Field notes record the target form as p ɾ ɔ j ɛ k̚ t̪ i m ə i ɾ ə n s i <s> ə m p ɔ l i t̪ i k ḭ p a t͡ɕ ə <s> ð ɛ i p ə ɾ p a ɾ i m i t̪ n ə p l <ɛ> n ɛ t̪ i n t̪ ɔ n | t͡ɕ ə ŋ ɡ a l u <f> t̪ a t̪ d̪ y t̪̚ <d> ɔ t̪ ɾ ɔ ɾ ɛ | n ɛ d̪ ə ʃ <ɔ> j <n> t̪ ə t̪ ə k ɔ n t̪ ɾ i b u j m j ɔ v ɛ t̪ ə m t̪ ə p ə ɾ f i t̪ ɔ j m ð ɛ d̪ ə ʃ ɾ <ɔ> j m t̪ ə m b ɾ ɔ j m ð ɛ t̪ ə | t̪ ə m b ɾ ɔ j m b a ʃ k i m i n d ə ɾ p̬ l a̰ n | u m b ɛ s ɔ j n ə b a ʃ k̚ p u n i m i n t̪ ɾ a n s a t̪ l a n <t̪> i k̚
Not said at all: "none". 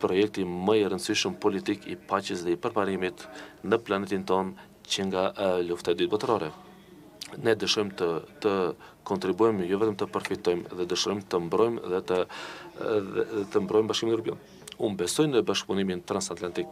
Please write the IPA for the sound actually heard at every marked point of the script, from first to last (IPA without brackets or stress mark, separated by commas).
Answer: ʃ, s, a, f, b, ɔ, m, ɔ, t̪